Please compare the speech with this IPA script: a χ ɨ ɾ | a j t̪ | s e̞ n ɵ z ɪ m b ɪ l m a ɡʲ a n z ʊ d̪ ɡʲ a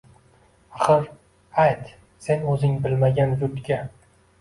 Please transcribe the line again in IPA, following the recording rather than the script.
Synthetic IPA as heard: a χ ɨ ɾ | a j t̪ | s e̞ n ɵ z ɪ ŋ b ɪ l m a ɡʲ a n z ʊ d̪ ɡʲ a